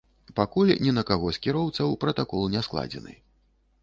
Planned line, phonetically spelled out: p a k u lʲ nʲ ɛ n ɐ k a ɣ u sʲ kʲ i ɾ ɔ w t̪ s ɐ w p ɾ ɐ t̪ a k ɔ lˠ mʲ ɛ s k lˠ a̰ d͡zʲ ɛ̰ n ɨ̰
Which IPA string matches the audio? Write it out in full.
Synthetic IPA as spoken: p a k u lʲ nʲ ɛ n ɐ k a ɣ ɔ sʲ kʲ i ɾ ɔ w t̪ s ɐ w p ɾ ɐ t̪ a k ɔ lˠ nʲ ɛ s k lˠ a̰ d͡zʲ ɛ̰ n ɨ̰